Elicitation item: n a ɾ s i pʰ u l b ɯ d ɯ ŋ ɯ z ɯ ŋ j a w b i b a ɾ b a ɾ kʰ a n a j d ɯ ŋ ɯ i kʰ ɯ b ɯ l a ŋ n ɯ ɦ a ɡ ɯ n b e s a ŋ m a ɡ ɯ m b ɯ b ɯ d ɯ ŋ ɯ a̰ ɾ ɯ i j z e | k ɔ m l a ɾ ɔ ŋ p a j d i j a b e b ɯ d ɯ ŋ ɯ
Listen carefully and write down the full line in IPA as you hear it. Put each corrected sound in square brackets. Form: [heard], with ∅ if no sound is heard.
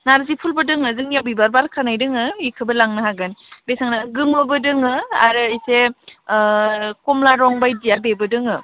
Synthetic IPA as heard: n a ɾ [z] i pʰ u l b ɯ d ɯ ŋ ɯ z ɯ ŋ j a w b i b a ɾ b a ɾ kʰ a n a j d ɯ ŋ ɯ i kʰ ɯ b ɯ l a ŋ n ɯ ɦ a ɡ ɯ n b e s a ŋ [n] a ɡ ɯ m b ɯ b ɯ d ɯ ŋ ɯ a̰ ɾ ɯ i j [s] e | k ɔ m l a ɾ ɔ ŋ [b] a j d i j a b e b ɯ d ɯ ŋ ɯ